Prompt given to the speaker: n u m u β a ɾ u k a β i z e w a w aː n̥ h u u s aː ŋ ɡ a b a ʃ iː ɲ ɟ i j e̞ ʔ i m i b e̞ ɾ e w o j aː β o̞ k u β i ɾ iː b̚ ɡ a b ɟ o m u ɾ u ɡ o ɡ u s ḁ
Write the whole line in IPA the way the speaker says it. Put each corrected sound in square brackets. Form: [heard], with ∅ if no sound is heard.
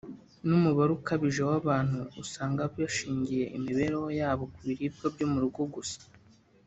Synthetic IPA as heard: n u m u β a ɾ u k a β i [ʒ] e w a [β] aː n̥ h u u s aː ŋ ɡ a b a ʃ iː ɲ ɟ i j e̞ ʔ i m i [β] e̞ ɾ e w o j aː β o̞ k u β i ɾ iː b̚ ɡ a b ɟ o m u ɾ u ɡ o ɡ u s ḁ